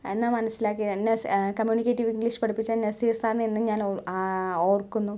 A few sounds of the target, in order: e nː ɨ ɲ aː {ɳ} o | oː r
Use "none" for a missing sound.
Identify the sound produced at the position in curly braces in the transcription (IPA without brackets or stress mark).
n